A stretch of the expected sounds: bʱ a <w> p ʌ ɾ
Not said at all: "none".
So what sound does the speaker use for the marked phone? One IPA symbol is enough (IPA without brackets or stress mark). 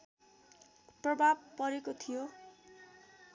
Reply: b